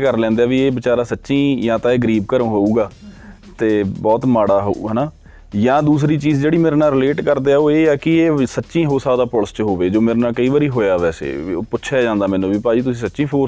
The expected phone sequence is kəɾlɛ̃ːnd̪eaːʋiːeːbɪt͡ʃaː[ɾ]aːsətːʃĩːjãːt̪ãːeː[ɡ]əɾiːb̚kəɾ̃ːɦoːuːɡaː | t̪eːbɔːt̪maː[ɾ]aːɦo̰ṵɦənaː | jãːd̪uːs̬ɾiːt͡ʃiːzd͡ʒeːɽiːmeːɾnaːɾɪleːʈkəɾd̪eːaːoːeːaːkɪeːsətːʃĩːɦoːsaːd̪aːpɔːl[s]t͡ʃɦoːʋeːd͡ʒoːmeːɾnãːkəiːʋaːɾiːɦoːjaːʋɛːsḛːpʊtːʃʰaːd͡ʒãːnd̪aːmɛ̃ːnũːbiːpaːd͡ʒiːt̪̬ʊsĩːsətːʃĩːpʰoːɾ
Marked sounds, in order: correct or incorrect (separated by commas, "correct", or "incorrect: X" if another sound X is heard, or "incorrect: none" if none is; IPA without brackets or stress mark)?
correct, correct, incorrect: ɽ, correct